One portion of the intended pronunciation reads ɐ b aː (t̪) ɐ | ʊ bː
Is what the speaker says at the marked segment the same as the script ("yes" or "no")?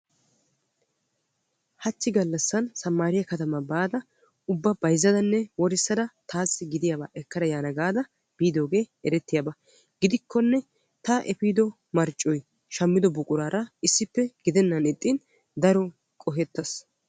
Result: no